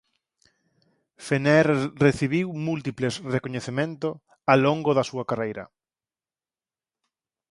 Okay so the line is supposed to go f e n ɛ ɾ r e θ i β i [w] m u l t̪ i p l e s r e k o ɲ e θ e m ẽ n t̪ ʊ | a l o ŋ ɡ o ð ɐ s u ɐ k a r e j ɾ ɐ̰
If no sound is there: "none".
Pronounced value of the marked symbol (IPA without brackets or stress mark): w